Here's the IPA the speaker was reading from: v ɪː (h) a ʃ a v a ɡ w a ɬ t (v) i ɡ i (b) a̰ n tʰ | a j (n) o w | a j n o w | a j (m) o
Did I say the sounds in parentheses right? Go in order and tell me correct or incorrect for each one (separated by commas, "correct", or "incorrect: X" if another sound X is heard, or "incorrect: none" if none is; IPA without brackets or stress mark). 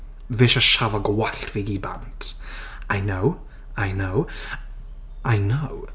incorrect: ʃ, correct, correct, correct, incorrect: n